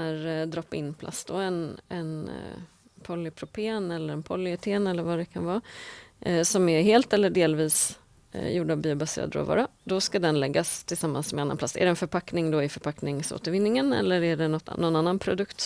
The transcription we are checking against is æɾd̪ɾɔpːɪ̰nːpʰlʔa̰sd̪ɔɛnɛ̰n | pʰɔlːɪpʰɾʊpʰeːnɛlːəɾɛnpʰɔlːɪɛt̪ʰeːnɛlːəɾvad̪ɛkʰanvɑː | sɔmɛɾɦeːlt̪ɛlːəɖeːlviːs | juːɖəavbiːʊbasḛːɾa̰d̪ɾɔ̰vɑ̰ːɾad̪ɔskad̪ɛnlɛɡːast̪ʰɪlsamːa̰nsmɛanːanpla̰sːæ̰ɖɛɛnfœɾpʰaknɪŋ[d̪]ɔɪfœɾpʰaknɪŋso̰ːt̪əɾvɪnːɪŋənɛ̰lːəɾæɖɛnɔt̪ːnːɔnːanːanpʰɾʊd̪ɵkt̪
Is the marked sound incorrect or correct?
correct